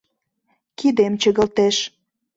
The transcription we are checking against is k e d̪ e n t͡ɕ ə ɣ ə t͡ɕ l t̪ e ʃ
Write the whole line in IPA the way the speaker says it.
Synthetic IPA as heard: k i d̪ e m t͡ɕ ə ɣ ə l t̪ e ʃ